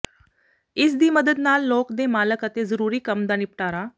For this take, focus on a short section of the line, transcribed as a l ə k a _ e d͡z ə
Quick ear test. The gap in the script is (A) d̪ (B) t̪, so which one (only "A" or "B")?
B